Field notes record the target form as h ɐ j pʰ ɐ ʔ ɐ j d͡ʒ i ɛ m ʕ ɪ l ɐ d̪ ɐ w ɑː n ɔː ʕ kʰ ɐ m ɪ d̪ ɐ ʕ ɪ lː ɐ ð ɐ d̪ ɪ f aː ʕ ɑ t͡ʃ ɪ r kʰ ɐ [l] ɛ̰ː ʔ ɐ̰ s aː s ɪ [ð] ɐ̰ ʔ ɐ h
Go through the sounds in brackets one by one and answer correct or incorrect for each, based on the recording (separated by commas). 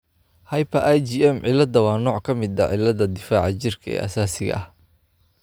incorrect, incorrect